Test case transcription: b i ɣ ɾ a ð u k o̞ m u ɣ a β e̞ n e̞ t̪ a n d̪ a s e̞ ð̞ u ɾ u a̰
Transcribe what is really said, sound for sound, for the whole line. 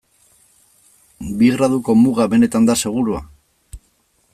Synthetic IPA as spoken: b i ɣ ɾ a ð u k o̞ m u ɣ a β e̞ n e̞ t̪ a n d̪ a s e̞ ɣ̞ u ɾ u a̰